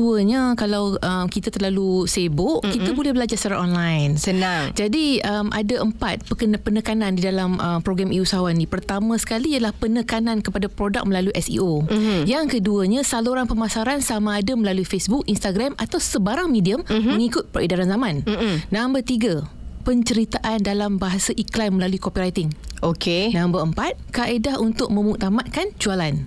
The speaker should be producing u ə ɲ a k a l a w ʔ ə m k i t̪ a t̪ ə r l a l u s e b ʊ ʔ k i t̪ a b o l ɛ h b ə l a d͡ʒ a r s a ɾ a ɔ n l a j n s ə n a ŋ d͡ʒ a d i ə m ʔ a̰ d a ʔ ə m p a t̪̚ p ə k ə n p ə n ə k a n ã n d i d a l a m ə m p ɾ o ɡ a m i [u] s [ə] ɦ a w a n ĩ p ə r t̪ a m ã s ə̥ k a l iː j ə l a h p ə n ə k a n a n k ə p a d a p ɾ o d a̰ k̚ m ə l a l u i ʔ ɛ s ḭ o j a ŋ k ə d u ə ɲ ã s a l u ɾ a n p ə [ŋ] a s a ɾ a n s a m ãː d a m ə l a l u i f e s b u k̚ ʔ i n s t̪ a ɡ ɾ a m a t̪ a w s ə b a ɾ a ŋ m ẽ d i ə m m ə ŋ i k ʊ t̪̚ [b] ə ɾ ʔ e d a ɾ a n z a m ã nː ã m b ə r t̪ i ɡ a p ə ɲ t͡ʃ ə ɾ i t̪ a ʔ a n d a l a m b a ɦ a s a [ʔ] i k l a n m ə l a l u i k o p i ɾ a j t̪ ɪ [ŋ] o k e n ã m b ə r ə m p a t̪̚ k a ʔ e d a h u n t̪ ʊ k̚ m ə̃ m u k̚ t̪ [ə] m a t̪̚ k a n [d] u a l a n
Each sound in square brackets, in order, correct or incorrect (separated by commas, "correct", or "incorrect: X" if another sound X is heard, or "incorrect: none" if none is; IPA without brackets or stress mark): correct, incorrect: a, incorrect: m, incorrect: p, correct, correct, incorrect: a, incorrect: d͡ʒ